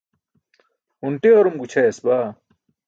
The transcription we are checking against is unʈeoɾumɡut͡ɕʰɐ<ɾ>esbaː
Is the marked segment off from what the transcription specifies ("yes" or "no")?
yes